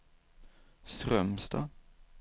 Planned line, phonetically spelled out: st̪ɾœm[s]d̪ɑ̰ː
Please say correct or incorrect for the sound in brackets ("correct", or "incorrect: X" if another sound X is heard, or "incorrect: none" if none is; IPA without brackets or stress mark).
correct